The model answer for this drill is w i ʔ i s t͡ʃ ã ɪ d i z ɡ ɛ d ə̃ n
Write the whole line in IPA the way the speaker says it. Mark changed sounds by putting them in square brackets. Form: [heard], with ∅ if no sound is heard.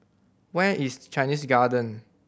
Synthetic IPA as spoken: w [ɛ] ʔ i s t͡ʃ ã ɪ [n] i [s] ɡ [a] d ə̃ n